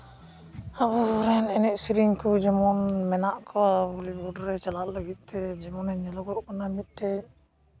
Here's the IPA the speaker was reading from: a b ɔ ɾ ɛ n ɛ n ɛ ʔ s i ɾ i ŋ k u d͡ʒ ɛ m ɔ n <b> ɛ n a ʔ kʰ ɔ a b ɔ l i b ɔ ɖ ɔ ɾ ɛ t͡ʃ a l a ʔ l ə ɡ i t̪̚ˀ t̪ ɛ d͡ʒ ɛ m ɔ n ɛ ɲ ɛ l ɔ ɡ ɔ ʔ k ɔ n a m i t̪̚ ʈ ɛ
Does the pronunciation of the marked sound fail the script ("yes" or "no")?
yes